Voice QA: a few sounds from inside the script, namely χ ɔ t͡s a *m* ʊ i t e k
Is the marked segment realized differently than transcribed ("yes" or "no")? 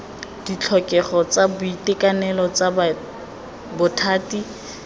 yes